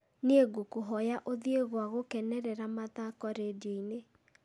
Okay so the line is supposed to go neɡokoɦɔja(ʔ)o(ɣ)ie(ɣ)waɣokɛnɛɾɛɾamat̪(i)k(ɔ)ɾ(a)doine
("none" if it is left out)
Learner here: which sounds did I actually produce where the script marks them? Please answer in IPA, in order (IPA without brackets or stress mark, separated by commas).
ʔ, ð, ɣ, a, ɔ, e